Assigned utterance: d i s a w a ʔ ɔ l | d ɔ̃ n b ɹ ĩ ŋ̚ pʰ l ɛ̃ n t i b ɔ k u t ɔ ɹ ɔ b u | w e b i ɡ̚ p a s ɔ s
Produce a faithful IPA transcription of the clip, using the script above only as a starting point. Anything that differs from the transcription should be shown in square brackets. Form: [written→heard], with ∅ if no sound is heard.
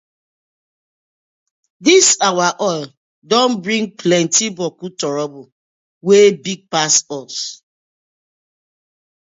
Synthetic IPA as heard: d i s a w a ʔ ɔ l | d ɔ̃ n b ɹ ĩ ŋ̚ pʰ l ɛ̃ n t i b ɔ k u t ɔ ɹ ɔ b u | w e b i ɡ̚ p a s ɔ s